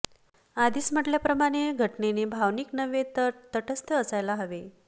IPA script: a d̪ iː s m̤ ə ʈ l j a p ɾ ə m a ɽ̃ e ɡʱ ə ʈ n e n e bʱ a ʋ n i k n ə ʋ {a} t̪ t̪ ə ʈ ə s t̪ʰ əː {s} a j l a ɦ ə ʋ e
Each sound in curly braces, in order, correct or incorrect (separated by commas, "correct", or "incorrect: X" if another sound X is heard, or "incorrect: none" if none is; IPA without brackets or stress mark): incorrect: e, correct